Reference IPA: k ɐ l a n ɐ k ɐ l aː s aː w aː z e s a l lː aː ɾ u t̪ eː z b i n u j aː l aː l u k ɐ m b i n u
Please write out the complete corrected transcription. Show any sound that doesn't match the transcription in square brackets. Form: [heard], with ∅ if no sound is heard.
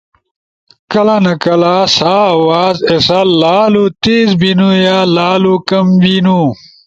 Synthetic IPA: k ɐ l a n ɐ k ɐ l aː s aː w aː z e s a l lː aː [l] u t̪ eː z b i n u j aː l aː l u k ɐ m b i n u